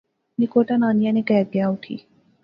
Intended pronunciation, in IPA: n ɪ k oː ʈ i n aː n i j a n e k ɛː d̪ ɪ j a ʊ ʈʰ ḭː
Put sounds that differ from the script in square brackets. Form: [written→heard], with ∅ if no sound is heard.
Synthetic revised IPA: n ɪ k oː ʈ [i→a] n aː n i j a n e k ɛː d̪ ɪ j a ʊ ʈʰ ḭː